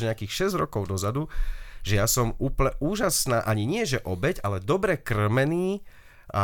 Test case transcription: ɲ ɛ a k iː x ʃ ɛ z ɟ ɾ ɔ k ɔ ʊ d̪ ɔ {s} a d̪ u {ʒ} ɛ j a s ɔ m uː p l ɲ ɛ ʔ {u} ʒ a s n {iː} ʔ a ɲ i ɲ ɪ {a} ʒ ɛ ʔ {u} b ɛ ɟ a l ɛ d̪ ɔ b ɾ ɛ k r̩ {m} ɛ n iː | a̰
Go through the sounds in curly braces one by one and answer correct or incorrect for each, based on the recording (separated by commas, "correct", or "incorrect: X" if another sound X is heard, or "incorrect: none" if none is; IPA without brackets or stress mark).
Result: incorrect: z, correct, incorrect: uː, incorrect: aː, incorrect: ɛ, incorrect: ɔ, correct